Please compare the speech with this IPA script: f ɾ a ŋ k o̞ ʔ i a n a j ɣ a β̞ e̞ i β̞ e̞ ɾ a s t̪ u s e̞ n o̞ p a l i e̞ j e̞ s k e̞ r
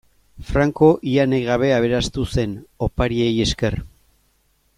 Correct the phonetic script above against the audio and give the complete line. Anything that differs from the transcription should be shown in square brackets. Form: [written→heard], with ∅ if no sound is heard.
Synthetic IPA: f ɾ a ŋ k o̞ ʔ i a n [a→e] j ɣ a β̞ e̞ [i→a] β̞ e̞ ɾ a s t̪ u s e̞ n o̞ p a [l→ɾ] i e̞ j e̞ s k e̞ r